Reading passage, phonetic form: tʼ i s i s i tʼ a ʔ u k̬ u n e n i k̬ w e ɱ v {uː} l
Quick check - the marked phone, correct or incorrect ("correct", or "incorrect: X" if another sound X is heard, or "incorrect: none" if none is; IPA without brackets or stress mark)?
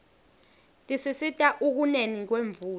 correct